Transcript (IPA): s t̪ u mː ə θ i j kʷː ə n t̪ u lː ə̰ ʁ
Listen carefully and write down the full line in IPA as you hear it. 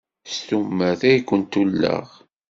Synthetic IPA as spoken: s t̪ u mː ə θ æ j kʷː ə n t̪ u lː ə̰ ʁ